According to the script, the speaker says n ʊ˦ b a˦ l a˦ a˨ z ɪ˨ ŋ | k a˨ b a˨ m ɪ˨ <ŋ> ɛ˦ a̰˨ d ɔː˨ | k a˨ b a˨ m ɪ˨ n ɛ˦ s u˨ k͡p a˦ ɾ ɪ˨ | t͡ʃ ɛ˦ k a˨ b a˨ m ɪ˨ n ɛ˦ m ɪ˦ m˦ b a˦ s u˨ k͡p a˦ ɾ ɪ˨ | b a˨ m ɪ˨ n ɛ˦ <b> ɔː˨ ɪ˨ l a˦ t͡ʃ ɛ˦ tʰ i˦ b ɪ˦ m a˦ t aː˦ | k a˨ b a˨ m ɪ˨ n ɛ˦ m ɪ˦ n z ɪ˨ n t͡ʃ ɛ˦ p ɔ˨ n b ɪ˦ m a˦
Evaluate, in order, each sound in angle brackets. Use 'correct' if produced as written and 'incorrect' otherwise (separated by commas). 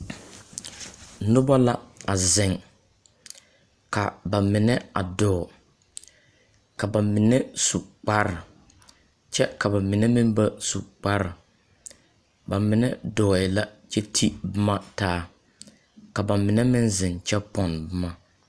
incorrect, incorrect